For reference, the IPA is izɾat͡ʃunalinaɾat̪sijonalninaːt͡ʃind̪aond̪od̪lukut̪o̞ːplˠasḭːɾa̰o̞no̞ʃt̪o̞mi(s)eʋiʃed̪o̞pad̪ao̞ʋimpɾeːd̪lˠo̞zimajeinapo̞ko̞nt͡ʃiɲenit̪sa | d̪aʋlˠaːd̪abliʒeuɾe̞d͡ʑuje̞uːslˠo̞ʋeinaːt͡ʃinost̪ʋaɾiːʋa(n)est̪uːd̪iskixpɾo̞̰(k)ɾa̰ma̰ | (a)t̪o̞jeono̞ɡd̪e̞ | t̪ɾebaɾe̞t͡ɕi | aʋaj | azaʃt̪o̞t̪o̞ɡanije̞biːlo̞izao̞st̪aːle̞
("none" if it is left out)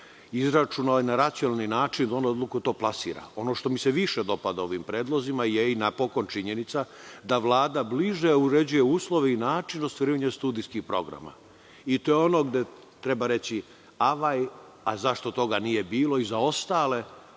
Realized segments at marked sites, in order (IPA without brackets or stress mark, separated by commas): s, ɲ, ɡ, i